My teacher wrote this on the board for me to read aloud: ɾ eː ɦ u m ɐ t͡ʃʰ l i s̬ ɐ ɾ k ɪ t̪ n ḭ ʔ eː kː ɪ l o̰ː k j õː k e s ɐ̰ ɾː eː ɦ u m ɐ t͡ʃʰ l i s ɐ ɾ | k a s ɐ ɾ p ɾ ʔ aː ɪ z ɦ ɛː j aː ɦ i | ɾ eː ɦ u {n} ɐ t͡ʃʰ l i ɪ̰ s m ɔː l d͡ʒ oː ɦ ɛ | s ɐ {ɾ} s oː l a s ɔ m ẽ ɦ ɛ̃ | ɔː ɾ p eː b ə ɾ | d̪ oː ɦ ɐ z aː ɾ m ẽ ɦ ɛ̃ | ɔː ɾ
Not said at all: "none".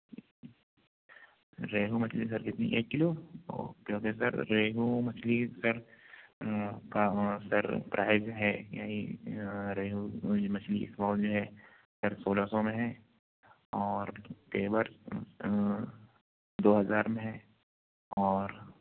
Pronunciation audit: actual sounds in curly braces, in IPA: m, ɾ

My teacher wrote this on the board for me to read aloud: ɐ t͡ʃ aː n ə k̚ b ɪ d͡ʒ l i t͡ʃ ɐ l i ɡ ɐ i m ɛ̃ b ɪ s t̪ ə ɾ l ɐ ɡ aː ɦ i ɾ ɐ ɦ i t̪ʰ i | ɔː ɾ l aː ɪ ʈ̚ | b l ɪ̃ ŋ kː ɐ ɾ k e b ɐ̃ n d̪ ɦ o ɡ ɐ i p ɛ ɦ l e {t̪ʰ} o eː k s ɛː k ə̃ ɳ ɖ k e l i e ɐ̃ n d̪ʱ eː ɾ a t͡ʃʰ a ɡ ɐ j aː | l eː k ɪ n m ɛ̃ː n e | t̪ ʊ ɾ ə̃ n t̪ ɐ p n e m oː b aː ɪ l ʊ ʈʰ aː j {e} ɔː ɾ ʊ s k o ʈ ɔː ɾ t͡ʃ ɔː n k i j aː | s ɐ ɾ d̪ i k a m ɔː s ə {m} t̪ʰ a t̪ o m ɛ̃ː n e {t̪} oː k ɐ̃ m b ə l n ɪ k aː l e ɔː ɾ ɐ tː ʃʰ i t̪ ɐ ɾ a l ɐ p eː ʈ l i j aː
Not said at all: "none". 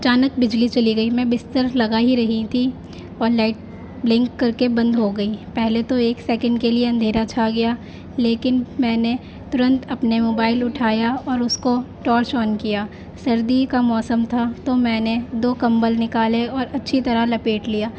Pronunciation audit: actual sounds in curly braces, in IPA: t̪, a, m, d̪

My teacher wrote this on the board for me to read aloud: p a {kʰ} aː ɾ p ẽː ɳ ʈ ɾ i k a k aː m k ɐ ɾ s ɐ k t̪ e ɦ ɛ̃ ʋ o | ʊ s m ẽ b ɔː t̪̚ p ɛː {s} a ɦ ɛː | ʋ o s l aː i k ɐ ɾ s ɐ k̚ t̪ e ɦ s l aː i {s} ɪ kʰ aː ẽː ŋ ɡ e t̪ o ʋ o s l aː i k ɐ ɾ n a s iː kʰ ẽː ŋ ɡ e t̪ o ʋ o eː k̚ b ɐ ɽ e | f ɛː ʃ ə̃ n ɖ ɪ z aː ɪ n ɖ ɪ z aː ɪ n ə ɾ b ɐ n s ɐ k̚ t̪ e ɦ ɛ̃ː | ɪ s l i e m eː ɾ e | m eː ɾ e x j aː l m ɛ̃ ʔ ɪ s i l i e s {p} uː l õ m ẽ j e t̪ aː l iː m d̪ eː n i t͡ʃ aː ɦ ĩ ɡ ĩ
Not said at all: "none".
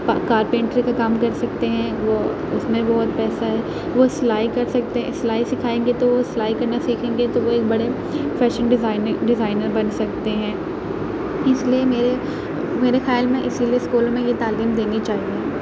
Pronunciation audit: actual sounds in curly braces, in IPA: k, s, s, k

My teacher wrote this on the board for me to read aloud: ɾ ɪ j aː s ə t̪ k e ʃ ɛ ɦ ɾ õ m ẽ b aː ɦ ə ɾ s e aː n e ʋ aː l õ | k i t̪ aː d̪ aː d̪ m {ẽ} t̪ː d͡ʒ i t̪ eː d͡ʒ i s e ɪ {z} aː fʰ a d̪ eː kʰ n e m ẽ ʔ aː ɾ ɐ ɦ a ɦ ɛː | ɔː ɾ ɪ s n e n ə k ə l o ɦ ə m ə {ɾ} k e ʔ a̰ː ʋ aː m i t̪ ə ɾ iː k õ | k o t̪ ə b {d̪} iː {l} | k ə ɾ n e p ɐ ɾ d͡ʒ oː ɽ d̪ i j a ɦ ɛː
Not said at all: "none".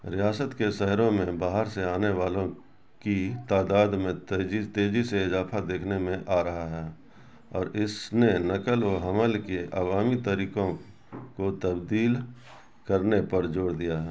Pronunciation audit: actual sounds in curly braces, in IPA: ẽ, z, l, d̪, l

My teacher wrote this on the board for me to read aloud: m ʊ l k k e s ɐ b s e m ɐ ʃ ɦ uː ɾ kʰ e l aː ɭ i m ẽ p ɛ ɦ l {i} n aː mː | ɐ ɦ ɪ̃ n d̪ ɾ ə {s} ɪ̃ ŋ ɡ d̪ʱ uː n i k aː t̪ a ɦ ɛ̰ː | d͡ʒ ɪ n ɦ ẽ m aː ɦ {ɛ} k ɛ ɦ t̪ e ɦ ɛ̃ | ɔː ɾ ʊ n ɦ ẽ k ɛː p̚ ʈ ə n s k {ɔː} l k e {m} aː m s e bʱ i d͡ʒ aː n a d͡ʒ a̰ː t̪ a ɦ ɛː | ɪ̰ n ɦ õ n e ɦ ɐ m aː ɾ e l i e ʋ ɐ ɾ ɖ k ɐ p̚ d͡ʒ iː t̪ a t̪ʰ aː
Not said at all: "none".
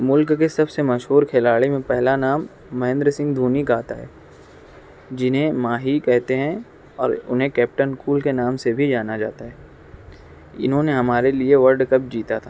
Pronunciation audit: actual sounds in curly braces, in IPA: a, s, i, uː, n

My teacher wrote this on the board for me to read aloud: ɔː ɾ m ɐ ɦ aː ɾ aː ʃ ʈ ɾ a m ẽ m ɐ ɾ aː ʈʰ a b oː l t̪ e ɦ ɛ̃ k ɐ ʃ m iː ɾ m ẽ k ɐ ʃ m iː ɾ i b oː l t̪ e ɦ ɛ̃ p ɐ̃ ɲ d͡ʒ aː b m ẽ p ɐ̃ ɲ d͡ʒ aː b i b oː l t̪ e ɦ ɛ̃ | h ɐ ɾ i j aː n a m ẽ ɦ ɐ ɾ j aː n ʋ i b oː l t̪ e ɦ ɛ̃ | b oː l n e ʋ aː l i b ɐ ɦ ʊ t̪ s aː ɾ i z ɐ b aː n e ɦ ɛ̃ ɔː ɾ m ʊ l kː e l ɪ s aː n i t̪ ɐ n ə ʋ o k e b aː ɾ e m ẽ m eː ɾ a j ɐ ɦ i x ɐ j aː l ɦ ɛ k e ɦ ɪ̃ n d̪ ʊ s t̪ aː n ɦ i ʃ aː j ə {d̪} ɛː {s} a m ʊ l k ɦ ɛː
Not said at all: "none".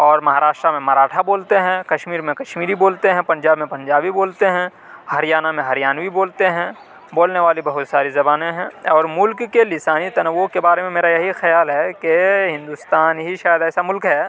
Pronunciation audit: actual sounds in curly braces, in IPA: d̪, s

